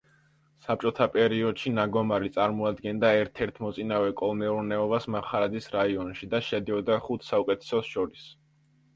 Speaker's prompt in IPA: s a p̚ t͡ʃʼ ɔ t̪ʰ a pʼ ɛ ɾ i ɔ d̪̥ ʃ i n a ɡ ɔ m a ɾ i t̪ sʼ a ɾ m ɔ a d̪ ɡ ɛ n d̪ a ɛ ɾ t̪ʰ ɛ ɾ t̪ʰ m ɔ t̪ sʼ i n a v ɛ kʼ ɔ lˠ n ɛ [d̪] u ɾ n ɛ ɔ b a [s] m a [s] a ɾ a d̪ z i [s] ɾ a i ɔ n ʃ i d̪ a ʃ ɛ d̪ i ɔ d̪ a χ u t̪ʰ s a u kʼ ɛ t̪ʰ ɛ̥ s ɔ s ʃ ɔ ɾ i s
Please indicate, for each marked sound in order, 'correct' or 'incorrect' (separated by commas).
incorrect, correct, incorrect, correct